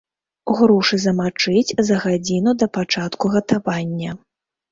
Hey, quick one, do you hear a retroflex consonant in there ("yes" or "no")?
yes